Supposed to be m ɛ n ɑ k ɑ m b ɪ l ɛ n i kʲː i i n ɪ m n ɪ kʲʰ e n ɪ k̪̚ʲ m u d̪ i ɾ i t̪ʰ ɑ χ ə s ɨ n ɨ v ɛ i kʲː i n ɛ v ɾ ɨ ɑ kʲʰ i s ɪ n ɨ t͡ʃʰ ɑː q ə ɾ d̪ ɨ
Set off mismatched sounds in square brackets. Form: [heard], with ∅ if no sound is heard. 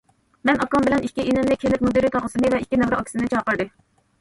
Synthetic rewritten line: m ɛ n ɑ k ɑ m b ɪ l ɛ n i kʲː i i n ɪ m n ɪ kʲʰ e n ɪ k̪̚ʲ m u d̪ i ɾ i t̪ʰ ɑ [ʁ] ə s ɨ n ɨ v ɛ i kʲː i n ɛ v ɾ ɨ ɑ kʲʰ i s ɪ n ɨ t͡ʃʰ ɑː q ə ɾ d̪ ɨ